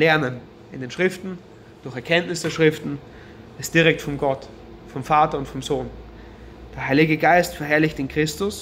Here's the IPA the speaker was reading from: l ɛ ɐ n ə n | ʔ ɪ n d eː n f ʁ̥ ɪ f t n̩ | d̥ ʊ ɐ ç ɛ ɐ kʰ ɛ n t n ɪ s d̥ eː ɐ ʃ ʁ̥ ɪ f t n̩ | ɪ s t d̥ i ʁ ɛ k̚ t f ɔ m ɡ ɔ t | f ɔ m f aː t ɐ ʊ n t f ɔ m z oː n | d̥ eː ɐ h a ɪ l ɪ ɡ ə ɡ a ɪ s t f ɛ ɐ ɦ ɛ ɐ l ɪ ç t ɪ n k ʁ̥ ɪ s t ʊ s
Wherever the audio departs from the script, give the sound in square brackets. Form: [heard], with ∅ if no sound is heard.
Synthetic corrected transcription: l ɛ ɐ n ə n | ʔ ɪ n d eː n [ʃ] ʁ̥ ɪ f t n̩ | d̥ ʊ ɐ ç ɛ ɐ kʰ ɛ n t n ɪ s d̥ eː ɐ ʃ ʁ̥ ɪ f t n̩ | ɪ s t d̥ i ʁ ɛ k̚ t f ɔ m ɡ ɔ t | f ɔ m f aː t ɐ ʊ n t f ɔ m z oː n | d̥ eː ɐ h a ɪ l ɪ ɡ ə ɡ a ɪ s t f ɛ ɐ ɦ ɛ ɐ l ɪ ç t ɪ n k ʁ̥ ɪ s t ʊ s